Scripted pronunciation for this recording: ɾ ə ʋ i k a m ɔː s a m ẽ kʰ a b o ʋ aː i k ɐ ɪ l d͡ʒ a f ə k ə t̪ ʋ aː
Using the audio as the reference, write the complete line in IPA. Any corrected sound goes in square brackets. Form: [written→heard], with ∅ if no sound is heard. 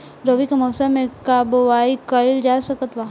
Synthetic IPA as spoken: ɾ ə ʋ i k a m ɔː s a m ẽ [kʰ→k] a b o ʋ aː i k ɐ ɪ l d͡ʒ a [f→s] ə k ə t̪ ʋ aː